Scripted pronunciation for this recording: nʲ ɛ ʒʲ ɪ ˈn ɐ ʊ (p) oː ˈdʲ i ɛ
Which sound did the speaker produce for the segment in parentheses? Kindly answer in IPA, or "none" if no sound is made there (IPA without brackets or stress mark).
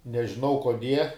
k